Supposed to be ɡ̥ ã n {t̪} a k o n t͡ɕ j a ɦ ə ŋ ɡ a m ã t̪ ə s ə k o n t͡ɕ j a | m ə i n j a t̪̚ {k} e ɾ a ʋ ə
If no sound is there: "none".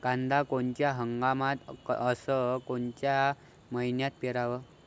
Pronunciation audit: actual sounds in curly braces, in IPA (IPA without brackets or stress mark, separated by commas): d̪, p